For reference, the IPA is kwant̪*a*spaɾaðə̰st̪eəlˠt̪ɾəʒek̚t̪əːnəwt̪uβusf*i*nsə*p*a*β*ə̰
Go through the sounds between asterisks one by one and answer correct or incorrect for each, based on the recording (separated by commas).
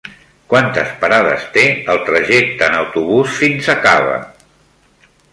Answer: incorrect, correct, incorrect, correct